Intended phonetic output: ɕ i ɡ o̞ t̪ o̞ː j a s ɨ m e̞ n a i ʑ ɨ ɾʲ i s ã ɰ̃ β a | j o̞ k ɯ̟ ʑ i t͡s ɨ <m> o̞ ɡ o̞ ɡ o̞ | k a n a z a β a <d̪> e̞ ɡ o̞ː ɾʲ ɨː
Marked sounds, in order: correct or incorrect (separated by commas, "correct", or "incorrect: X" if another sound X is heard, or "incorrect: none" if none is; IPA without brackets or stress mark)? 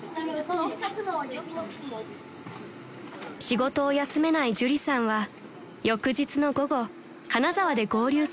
incorrect: n, correct